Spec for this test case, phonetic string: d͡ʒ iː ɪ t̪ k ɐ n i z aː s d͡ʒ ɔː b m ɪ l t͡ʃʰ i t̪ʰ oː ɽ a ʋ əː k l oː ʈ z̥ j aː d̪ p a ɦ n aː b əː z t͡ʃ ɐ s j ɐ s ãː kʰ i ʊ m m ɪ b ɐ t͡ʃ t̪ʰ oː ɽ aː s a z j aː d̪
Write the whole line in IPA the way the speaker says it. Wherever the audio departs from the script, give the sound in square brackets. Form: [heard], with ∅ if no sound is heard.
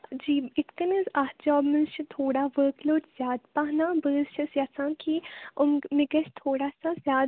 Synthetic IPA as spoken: d͡ʒ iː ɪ t̪ k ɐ n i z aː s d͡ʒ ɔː b m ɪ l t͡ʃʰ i t̪ʰ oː ɽ a ʋ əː k l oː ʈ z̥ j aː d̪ p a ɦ n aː b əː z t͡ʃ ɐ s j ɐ s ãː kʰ i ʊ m m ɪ [ɡ] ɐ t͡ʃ t̪ʰ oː ɽ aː s a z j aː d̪